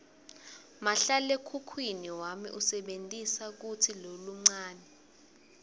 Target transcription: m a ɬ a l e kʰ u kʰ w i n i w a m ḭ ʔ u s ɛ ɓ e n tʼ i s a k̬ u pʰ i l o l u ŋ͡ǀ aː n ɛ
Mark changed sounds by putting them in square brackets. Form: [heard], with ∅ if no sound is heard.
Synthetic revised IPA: m a ɬ a l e kʰ u kʰ w i n i w a m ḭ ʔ u s ɛ ɓ e n tʼ i s a k̬ u [tʰ] i l o l u ŋ͡ǀ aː n ɛ